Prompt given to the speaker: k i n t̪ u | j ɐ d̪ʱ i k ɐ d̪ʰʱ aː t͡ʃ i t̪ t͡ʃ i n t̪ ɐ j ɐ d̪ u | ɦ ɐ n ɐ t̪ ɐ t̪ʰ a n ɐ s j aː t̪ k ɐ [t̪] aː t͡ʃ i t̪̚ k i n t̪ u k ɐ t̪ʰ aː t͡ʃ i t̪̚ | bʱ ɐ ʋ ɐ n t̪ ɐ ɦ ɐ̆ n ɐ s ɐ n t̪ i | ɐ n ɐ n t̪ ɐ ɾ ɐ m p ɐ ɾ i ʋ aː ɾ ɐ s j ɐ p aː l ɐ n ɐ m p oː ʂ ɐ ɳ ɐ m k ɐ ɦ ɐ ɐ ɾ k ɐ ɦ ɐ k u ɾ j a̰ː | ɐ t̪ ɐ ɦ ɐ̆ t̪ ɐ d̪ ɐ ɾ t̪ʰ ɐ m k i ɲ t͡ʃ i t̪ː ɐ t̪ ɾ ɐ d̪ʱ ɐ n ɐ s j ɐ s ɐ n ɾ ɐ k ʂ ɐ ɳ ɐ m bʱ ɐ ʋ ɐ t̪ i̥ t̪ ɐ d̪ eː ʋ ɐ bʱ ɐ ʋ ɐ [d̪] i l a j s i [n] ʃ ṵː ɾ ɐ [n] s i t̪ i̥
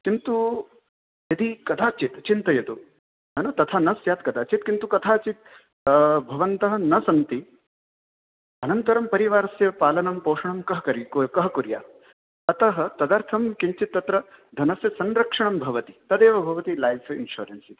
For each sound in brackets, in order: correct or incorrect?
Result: incorrect: d̪, incorrect: t̪, correct, correct

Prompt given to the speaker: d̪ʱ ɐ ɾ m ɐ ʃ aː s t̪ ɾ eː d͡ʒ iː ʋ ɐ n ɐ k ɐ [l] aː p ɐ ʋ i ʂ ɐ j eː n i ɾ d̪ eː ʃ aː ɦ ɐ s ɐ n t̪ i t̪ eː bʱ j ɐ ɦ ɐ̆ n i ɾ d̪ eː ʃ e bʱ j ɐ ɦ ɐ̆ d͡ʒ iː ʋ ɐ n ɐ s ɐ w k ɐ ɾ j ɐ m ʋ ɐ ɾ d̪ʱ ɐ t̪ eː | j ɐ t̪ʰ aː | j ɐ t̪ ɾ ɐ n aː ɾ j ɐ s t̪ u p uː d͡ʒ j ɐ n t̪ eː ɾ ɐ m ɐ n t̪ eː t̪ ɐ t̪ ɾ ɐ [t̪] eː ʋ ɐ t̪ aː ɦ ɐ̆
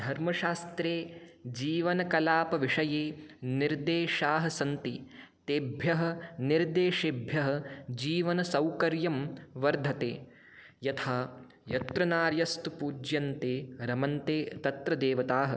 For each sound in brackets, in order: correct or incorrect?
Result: correct, incorrect: d̪

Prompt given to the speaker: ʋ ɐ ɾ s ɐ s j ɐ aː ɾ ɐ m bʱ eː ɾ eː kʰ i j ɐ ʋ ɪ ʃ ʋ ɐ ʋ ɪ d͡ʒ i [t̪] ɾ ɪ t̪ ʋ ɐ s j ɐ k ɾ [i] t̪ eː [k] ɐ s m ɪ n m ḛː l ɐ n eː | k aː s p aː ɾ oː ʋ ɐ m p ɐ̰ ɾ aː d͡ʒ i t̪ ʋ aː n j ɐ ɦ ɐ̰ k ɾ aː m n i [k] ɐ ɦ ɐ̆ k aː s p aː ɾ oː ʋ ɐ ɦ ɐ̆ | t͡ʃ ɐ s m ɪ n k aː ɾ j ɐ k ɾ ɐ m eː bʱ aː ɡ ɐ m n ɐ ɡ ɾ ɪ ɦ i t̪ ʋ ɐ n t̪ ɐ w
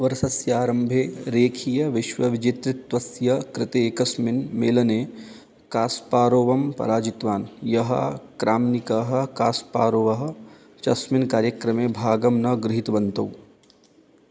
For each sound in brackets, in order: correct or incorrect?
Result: correct, incorrect: ɪ, correct, correct

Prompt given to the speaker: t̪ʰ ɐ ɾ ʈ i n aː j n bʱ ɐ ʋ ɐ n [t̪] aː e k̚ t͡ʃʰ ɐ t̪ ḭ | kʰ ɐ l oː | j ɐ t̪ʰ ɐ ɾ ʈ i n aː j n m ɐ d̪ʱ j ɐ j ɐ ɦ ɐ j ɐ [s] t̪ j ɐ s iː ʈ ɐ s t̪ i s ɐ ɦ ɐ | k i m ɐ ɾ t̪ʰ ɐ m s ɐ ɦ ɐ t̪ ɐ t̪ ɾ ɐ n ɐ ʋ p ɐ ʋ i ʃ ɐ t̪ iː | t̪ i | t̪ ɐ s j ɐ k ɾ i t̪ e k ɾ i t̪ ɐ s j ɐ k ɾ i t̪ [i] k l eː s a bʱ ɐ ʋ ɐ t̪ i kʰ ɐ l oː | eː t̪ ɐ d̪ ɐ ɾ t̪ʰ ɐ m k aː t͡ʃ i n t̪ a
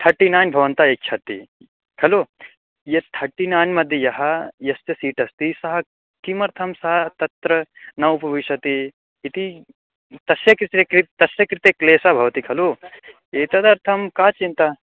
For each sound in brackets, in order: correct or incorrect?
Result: correct, correct, incorrect: e

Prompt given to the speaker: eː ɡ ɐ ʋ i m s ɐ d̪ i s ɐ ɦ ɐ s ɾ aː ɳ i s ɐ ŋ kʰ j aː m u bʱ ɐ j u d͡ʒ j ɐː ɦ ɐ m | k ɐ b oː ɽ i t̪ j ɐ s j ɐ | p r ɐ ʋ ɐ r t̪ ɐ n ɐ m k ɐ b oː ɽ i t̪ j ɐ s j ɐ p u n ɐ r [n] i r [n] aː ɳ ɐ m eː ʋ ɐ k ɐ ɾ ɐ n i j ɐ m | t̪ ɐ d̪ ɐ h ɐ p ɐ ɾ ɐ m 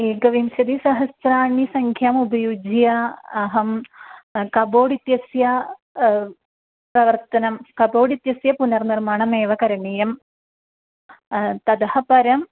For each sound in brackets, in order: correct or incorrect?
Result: correct, incorrect: m

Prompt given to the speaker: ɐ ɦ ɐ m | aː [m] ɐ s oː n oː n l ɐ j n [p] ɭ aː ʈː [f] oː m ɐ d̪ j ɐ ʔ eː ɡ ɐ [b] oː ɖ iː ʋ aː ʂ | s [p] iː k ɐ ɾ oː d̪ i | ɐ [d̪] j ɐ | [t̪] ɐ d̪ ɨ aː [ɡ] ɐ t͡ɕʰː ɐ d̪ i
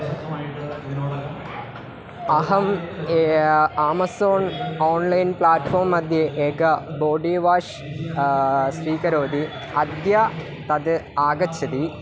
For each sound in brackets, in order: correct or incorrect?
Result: correct, correct, correct, correct, correct, correct, correct, correct

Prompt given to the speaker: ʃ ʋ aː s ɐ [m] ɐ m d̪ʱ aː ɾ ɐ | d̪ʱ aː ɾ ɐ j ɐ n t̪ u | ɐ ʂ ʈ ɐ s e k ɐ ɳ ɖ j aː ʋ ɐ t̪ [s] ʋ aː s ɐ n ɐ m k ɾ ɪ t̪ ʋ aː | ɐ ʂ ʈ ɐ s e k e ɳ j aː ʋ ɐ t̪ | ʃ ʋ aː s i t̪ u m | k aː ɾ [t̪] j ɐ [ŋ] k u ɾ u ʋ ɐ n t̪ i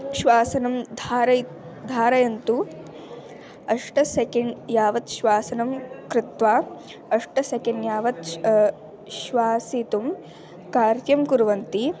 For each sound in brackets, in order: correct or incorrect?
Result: incorrect: n, incorrect: ʃ, correct, incorrect: m

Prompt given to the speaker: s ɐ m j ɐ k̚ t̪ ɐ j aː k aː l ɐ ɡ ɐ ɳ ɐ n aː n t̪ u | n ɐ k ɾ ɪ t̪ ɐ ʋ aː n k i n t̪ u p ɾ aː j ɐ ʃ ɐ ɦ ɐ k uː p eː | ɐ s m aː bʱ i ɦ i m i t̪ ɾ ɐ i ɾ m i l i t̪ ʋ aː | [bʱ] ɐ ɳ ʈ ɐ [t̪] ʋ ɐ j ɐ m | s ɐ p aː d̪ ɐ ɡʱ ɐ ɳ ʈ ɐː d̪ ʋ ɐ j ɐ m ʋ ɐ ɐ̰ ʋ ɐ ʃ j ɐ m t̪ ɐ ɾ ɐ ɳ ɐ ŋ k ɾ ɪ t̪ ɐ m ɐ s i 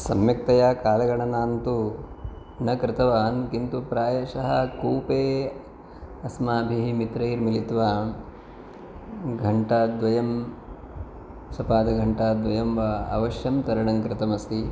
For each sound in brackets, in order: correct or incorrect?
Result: incorrect: ɡʱ, incorrect: d̪

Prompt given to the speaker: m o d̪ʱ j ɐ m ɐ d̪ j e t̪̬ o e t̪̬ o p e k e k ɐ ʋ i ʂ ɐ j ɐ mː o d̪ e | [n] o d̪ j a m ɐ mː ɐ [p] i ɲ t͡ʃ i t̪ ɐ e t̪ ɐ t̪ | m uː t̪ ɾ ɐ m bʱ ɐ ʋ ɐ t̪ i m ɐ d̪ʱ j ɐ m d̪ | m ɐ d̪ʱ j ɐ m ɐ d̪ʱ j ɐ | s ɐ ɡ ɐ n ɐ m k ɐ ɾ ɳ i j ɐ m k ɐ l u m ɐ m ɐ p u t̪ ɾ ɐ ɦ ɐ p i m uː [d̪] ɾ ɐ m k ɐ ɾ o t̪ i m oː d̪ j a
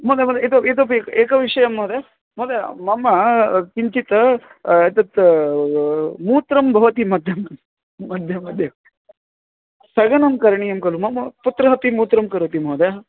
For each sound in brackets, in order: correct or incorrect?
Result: incorrect: m, incorrect: k, incorrect: t̪

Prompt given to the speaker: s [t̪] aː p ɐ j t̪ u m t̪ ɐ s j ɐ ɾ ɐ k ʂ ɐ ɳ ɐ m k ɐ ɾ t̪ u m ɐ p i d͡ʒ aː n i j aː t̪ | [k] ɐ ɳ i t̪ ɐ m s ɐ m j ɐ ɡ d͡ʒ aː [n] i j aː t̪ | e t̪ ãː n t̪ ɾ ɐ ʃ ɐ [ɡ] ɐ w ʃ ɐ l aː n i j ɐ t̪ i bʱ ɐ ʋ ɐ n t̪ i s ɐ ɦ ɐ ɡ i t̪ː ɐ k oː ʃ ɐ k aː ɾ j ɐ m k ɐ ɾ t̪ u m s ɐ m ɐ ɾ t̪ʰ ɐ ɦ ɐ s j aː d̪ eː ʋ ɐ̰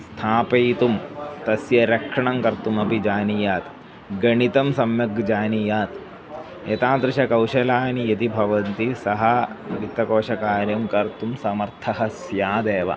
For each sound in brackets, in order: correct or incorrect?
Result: incorrect: t̪ʰ, incorrect: ɡ, correct, incorrect: k

